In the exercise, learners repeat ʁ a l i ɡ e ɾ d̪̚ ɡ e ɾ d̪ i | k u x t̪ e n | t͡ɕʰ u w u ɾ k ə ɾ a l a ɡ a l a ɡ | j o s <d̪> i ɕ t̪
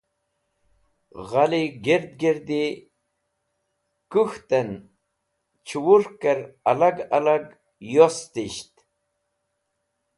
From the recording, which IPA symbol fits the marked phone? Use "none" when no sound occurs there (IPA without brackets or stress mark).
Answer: t̪